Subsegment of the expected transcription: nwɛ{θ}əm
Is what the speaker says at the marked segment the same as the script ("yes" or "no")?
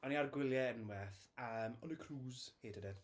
yes